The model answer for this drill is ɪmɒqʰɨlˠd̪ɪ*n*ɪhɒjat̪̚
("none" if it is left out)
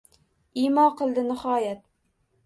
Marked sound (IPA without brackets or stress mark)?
n